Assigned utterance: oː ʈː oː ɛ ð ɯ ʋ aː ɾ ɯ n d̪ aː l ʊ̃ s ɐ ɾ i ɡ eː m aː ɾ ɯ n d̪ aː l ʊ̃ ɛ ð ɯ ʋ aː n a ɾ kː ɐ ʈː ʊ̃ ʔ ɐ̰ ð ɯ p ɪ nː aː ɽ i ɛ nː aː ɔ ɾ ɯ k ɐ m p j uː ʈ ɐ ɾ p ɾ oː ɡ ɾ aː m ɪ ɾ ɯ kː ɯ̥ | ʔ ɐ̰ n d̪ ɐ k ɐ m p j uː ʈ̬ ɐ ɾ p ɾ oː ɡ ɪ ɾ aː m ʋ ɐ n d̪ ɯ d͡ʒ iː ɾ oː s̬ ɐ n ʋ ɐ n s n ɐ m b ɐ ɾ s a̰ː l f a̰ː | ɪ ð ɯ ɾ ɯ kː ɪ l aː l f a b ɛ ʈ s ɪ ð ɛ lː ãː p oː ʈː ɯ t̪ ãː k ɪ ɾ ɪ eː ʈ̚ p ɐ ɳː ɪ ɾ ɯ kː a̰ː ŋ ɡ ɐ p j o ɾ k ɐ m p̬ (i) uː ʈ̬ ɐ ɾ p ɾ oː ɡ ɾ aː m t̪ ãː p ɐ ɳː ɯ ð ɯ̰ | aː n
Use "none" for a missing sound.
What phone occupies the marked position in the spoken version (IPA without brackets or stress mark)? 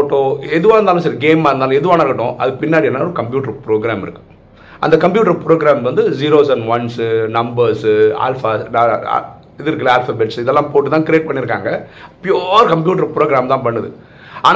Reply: j